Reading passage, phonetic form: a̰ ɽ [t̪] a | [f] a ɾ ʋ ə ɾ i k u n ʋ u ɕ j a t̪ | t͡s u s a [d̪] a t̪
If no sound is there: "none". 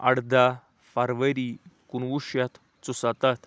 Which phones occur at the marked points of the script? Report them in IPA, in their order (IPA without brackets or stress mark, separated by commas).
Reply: d̪, f, t̪